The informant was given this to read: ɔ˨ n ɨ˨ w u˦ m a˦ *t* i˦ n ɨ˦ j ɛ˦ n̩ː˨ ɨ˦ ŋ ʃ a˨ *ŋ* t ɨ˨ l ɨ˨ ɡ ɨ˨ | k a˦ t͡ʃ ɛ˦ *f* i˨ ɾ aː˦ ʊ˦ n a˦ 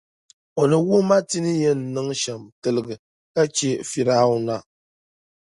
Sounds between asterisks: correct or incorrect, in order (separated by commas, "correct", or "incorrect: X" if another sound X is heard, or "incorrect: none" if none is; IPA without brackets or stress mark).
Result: correct, incorrect: m, correct